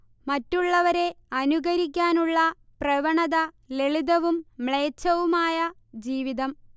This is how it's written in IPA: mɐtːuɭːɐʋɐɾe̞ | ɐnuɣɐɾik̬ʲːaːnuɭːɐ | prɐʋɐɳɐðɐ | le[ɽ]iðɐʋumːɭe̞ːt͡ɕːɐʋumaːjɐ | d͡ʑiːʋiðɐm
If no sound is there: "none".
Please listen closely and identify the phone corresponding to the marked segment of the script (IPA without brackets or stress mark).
ɭ